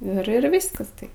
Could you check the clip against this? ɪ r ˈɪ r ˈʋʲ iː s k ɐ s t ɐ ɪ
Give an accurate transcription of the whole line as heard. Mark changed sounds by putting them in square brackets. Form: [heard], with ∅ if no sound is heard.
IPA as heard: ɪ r ˈɪ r ˈʋʲ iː s k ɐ s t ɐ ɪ